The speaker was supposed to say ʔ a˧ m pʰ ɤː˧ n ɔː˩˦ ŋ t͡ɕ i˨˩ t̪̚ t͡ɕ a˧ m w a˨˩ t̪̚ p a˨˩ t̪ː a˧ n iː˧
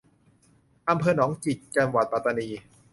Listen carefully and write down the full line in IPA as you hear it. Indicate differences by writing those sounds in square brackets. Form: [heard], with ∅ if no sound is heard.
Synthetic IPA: ʔ a˧ m pʰ ɤː˧ n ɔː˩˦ ŋ t͡ɕ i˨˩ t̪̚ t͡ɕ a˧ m w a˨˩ t̪̚ p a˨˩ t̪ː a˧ n iː˧